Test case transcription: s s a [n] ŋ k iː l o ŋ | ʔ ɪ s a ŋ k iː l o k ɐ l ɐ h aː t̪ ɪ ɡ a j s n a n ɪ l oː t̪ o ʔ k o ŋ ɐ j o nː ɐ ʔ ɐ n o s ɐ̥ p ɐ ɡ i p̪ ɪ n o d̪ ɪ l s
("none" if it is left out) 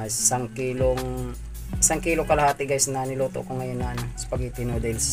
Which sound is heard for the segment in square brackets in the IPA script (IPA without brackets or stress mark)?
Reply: none